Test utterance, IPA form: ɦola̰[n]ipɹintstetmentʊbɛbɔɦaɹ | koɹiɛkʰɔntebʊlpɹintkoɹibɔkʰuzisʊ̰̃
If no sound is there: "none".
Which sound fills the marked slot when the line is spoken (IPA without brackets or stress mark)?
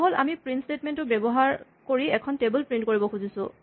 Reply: m